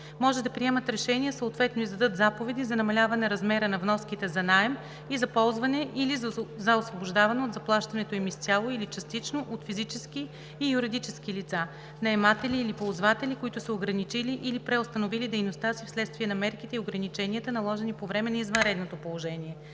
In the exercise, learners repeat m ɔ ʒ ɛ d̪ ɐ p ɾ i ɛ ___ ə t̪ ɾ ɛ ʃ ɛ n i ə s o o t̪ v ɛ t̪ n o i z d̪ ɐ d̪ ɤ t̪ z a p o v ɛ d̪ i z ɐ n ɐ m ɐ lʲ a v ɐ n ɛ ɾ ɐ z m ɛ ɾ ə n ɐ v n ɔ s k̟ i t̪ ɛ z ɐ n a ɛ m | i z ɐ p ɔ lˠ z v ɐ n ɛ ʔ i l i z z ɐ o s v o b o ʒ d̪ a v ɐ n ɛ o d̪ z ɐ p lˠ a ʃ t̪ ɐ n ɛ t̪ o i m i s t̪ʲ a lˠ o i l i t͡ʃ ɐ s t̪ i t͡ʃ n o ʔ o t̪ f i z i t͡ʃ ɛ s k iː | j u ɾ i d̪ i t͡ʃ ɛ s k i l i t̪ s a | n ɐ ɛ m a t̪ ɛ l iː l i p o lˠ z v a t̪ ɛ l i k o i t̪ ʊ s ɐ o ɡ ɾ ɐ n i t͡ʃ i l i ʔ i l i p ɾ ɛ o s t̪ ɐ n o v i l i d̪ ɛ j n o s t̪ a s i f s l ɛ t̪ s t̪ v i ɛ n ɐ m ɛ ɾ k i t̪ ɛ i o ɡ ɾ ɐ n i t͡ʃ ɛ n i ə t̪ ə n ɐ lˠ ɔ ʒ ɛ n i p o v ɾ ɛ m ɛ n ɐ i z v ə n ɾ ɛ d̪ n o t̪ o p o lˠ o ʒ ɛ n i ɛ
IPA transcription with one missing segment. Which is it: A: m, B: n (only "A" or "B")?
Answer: A